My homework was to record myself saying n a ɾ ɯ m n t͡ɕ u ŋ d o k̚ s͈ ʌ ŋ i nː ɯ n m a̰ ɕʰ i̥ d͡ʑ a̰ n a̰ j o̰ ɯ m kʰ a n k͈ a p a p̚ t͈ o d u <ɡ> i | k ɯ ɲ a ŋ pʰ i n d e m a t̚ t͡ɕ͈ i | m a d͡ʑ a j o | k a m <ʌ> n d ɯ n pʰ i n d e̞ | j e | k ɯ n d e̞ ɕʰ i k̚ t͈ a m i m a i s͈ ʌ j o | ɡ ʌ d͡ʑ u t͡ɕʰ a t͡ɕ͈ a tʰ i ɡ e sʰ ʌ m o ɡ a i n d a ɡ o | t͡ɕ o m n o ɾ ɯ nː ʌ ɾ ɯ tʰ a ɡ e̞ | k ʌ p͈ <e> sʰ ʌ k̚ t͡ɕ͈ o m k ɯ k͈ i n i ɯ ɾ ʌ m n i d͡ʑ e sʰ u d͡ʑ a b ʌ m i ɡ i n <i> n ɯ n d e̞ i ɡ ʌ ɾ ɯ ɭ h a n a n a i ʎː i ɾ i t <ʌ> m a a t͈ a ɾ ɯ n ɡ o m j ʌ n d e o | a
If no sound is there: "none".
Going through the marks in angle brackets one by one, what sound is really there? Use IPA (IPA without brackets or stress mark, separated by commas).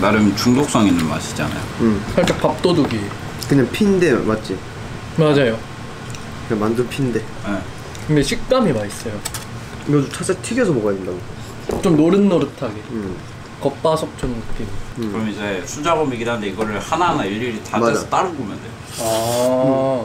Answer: ɡ, a, a, a, a